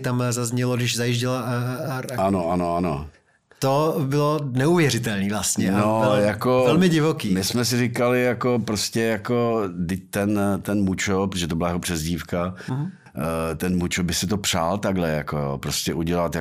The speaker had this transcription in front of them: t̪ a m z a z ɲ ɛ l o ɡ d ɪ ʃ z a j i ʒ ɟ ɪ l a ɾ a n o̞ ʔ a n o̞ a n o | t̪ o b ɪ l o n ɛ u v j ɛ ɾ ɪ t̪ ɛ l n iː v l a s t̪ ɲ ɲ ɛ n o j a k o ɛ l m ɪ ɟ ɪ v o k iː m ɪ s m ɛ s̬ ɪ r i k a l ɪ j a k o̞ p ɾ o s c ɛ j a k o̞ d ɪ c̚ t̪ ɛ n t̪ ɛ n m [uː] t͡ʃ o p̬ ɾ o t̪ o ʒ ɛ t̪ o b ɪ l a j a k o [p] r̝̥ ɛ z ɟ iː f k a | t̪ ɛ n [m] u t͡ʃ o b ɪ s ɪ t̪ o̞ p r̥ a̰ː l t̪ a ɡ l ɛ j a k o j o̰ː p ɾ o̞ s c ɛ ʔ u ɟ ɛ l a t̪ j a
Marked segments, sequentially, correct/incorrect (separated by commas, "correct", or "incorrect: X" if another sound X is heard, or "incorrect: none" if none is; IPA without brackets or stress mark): incorrect: u, correct, correct